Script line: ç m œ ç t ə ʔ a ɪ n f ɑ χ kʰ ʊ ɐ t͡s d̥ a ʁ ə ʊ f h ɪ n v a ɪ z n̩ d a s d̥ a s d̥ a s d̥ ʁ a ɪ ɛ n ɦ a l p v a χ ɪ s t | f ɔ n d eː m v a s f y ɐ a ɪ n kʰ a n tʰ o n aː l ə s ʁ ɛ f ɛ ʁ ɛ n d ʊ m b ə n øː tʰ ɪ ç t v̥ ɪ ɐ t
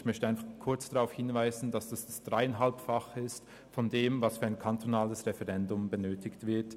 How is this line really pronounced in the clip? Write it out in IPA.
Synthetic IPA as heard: ç m œ ç t ə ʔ a ɪ n f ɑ χ kʰ ʊ ɐ t͡s d̥ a ʁ a ʊ f h ɪ n v a ɪ z n̩ d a s d̥ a s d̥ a s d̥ ʁ a ɪ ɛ n ɦ a l p f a χ ɪ s t | f ɔ n d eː m v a s f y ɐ a ɪ n kʰ a n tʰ o n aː l ə s ʁ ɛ f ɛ ʁ ɛ n d ʊ m b ə n øː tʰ ɪ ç t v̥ ɪ ɐ t